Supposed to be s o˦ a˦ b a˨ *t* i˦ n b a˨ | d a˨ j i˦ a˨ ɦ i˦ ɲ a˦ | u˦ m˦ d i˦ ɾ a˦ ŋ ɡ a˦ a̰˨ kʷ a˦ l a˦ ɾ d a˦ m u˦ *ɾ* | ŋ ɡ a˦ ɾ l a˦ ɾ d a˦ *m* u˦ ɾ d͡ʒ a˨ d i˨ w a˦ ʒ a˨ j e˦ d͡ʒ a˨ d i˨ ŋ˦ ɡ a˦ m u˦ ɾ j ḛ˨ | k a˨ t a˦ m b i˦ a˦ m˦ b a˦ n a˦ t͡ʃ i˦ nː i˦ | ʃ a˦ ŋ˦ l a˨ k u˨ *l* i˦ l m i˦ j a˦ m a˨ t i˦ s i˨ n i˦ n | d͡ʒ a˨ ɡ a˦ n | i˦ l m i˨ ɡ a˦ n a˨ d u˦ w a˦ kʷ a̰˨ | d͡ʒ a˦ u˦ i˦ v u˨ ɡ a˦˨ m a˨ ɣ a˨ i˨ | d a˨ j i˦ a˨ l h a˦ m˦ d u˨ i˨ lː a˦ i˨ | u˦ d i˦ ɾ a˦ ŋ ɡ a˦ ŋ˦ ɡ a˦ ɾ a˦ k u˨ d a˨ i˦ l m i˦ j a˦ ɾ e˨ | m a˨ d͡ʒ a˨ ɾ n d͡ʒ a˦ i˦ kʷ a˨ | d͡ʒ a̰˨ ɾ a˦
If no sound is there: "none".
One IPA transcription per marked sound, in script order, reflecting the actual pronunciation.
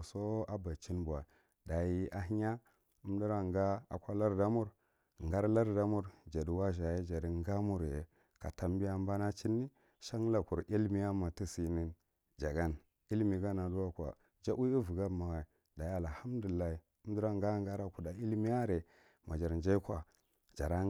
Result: t͡ʃ, ɾ, m, ɾ

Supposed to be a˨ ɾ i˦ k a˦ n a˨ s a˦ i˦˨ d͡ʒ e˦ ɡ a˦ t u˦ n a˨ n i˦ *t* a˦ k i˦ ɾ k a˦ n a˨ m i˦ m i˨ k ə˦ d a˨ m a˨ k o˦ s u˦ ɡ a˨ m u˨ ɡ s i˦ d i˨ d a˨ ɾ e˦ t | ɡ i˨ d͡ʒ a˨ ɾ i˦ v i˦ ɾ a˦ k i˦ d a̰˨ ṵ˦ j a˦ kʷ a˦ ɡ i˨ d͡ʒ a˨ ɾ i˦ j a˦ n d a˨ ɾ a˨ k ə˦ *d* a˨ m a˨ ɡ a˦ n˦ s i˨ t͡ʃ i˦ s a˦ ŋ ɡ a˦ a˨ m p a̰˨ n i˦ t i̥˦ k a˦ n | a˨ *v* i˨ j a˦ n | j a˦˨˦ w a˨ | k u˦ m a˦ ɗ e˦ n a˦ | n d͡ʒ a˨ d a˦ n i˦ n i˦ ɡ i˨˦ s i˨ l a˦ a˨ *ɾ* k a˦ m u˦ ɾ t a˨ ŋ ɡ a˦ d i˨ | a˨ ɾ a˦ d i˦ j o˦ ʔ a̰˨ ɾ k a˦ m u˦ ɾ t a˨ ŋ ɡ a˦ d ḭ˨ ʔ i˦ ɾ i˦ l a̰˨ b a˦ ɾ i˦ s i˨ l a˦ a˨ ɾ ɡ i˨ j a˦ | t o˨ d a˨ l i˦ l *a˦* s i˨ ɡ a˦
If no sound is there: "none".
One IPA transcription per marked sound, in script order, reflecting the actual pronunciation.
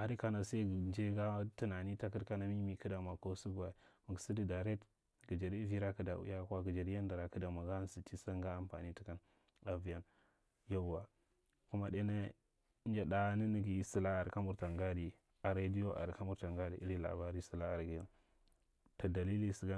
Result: t, d, v, ɾ, i˦

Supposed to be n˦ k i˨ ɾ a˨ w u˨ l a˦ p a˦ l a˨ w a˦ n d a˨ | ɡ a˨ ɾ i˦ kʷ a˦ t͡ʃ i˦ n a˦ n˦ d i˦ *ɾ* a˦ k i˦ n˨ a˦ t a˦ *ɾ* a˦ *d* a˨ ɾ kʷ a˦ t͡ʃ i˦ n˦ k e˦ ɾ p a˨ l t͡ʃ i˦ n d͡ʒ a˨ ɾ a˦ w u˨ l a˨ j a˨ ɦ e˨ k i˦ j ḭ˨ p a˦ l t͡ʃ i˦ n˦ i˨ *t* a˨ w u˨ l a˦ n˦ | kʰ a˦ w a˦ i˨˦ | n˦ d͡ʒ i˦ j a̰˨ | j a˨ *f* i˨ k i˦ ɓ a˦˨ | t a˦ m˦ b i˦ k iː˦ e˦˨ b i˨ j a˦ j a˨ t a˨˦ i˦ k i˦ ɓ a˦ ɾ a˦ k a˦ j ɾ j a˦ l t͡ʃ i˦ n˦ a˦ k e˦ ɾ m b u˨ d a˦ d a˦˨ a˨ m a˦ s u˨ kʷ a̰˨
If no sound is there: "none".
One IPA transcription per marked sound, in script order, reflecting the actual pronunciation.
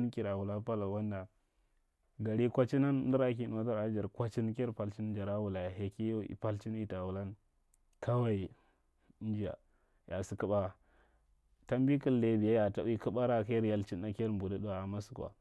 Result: ɾ, ɾ, d͡ʒ, t, s

